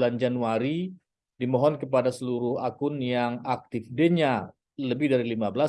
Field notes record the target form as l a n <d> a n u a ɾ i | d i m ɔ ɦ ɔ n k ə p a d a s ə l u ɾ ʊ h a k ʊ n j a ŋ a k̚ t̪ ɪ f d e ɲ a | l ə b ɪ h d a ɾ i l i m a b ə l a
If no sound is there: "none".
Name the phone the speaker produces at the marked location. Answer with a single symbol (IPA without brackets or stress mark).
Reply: d͡ʒ